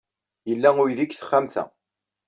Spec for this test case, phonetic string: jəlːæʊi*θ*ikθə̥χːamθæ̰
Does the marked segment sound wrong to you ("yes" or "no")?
yes